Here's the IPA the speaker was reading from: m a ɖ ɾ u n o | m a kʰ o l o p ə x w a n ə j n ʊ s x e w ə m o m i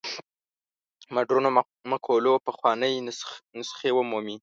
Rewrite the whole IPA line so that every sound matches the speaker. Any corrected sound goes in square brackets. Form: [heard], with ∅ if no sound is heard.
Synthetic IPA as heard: m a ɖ ɾ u n o | m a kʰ o l o p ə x w [ɑ] n ə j n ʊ s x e w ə m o m i